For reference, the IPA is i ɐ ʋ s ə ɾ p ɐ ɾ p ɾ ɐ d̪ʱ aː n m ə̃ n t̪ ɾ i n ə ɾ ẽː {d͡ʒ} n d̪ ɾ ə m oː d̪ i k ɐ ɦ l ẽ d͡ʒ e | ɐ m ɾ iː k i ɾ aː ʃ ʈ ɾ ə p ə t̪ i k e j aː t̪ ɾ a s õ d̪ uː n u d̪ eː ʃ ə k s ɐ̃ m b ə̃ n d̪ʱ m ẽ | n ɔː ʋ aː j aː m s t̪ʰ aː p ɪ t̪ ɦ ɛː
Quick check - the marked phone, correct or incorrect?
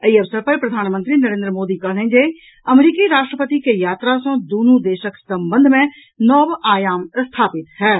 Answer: incorrect